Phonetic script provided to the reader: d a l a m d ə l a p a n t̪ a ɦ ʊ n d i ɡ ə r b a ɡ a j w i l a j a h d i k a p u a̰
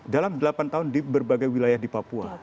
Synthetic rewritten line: d a l a m d ə l a p a n t̪ a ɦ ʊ n d i b ə r b a ɡ a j w i l a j a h d i p a p u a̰